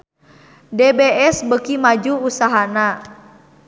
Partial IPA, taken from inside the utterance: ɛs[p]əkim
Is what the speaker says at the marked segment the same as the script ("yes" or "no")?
no